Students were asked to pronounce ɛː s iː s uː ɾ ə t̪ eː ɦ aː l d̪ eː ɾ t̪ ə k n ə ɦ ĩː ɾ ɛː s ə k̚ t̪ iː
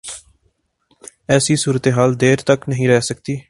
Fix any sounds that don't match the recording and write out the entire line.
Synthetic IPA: ɛː s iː s uː ɾ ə t̪ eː ɦ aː l d̪ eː ɾ t̪ ə k n ə ɦ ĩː ɾ ɛː s ə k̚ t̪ iː